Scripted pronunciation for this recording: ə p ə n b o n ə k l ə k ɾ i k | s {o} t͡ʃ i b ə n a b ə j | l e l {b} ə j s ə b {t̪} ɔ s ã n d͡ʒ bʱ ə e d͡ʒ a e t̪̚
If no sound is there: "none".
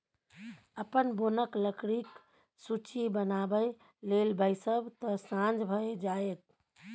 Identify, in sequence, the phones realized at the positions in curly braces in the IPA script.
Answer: u, b, t̪

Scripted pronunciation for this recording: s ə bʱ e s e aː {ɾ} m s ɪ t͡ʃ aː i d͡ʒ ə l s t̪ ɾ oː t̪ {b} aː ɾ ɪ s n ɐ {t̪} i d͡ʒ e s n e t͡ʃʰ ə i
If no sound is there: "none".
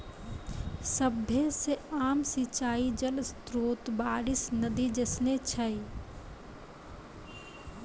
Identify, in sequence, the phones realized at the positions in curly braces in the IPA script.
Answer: none, b, d̪

